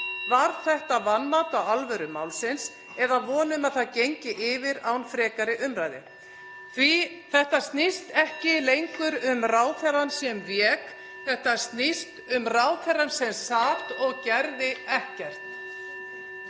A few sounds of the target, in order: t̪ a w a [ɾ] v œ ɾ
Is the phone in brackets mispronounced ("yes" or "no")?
yes